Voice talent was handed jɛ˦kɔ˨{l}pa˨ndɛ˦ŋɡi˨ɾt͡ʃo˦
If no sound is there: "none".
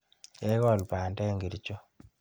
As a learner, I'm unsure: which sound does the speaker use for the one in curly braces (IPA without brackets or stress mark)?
l